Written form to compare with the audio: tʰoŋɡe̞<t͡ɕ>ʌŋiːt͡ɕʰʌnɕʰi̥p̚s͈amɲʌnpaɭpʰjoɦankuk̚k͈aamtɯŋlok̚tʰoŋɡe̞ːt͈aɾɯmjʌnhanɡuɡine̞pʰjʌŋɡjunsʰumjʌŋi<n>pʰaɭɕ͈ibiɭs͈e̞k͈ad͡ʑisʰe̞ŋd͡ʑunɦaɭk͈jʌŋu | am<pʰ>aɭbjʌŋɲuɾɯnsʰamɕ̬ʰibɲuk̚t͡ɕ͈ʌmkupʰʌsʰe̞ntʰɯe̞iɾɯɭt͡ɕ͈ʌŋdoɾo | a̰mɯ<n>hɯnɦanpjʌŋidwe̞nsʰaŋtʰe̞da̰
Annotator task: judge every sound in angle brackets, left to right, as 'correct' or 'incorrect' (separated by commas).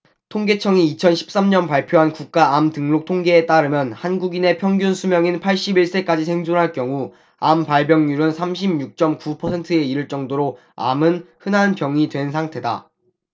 incorrect, correct, incorrect, correct